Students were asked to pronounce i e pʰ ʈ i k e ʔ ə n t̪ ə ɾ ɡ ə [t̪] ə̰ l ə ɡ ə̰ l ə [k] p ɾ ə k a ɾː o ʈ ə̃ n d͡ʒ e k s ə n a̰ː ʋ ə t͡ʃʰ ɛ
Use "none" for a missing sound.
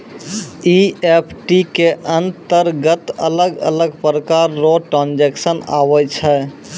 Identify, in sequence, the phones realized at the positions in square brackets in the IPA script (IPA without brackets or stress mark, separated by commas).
t̪, ɡ